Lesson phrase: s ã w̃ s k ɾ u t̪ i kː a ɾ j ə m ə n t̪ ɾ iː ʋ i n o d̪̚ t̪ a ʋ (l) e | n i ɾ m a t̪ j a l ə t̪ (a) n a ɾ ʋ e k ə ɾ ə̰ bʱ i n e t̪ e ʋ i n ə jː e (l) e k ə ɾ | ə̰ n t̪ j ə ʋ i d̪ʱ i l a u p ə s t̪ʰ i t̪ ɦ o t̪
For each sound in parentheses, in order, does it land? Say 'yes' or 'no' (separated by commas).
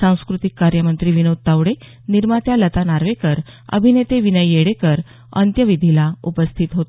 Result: no, yes, no